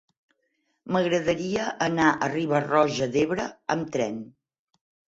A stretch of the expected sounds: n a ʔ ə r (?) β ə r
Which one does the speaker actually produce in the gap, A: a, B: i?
B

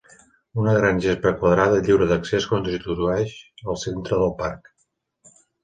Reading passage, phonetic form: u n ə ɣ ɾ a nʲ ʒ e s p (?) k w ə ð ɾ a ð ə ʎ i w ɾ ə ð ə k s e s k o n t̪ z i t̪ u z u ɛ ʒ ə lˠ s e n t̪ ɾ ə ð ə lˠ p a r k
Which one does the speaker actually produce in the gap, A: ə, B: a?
A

